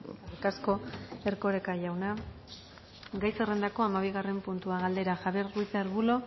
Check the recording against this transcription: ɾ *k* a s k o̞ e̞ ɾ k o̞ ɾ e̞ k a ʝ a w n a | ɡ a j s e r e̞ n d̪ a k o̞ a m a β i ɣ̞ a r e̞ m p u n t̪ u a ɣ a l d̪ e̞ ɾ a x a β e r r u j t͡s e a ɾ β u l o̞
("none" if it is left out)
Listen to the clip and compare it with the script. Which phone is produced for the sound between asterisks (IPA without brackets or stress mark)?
k